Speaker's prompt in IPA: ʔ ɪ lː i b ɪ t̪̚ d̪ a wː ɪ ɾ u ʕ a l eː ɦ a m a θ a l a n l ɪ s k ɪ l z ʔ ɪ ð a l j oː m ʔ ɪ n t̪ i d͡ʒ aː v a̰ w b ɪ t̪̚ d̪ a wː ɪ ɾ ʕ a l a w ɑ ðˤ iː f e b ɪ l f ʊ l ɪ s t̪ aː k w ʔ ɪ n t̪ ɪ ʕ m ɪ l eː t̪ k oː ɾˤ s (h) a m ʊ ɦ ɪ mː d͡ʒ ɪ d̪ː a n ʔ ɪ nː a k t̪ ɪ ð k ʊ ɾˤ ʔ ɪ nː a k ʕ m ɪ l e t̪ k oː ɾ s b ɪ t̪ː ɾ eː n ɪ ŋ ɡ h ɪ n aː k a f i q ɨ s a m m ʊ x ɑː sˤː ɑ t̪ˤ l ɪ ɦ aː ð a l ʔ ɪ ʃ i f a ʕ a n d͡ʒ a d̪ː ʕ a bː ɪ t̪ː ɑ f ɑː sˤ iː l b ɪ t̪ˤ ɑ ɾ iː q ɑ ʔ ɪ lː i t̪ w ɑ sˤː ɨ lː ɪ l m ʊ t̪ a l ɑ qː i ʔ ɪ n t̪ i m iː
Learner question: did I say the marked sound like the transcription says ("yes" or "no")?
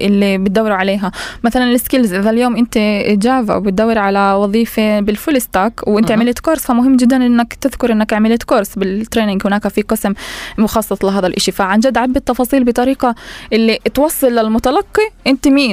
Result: no